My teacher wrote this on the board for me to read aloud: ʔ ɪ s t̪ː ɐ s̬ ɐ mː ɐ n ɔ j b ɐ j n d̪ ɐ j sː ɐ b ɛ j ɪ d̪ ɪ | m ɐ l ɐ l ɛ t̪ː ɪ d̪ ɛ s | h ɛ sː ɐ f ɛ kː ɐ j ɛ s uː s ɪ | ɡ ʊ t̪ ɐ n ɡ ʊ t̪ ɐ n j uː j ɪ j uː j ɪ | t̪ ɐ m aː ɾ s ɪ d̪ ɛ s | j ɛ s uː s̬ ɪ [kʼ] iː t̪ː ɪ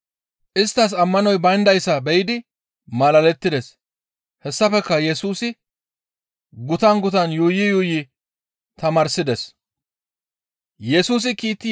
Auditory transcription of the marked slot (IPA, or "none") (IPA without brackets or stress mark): k